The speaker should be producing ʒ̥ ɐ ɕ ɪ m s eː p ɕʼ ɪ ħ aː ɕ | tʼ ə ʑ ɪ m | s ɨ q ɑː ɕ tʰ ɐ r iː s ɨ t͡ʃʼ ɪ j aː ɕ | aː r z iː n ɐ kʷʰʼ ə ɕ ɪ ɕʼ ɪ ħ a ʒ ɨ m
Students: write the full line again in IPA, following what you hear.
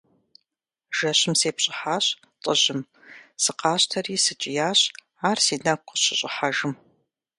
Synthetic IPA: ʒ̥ ɐ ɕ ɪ m s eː p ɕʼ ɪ ħ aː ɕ | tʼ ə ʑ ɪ m | s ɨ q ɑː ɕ tʰ ɐ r iː s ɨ t͡ʃʼ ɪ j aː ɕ | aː r s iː n ɐ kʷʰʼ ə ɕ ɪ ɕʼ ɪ ħ a ʒ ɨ m

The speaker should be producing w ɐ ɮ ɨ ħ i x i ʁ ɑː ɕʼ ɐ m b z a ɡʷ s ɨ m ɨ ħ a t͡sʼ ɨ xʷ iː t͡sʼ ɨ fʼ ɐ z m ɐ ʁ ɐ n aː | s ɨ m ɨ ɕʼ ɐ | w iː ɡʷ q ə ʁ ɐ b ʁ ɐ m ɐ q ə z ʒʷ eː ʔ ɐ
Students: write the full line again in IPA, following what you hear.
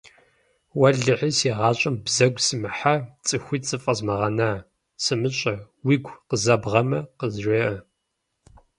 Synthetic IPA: w ɐ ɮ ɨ ħ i s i ʁ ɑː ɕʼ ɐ m b z ɐ ɡʷ s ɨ m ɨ ħ a t͡sʼ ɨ xʷ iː t͡sʼ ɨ fʼ ɐ z m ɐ ʁ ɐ n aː | s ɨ m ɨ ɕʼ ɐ | w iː ɡʷ q ə z ɐ b ʁ ɐ m ɐ q ə z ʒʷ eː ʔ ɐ

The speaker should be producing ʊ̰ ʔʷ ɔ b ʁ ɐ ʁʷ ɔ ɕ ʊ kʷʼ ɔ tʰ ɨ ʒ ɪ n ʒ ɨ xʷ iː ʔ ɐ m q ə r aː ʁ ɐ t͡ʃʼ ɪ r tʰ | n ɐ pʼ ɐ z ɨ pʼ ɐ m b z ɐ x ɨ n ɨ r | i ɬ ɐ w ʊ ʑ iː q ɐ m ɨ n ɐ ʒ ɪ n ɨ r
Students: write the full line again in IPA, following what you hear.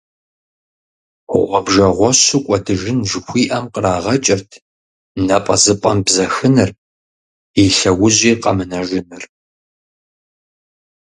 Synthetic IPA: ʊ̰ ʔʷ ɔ b ʒ ɐ ʁʷ ɔ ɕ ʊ kʷʼ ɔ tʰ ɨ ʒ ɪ n ʒ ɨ xʷ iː ʔ ɐ m q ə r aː ʁ ɐ t͡ʃʼ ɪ r tʰ | n ɐ pʼ ɐ z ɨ pʼ ɐ m b z ɐ x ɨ n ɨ r | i ɬ ɐ w ʊ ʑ iː q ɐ m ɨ n ɐ ʒ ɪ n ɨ r

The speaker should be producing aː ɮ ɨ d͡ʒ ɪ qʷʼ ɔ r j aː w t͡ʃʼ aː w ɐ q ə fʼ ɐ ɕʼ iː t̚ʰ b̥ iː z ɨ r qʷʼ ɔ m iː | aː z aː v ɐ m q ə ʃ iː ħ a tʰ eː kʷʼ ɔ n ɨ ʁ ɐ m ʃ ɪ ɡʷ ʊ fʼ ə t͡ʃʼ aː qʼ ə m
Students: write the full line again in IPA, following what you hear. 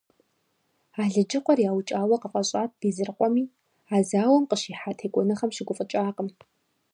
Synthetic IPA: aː ɮ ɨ d͡ʒ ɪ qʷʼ ɔ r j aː w t͡ʃʼ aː w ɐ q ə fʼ ɐ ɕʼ aː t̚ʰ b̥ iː z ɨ r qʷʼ ɔ m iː | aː z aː w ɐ m q ə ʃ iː ħ a tʰ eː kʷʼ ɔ n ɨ χ ɐ m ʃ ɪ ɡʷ ʊ fʼ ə t͡ʃʼ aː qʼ ə m

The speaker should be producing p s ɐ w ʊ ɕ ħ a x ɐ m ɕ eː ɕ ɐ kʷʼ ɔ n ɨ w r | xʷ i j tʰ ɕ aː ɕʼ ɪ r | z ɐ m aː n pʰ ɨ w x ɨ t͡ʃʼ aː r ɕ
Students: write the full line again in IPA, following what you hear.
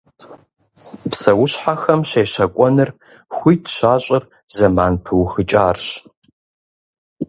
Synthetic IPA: p s ɐ w ʊ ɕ ħ a x ɐ m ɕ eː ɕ ɐ kʷʼ ɔ n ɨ r | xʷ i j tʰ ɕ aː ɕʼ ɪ r | z ɐ m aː n pʰ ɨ w x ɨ t͡ʃʼ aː r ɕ

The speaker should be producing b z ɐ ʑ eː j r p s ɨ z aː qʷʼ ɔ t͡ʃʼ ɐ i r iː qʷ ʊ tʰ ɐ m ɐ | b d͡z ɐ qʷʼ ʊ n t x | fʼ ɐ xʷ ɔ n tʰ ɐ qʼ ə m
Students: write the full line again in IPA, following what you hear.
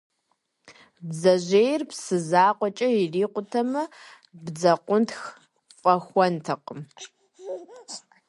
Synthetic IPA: b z ɐ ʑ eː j r p s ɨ z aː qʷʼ ɔ t͡ʃʼ ɐ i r iː qʷ ʊ tʰ ɐ m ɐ | b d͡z ɐ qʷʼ ʊ n t x | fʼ ɐ xʷ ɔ n tʰ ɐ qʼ ə m

